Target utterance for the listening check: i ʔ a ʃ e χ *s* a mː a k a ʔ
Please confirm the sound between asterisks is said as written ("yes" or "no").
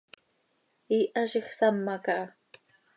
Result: yes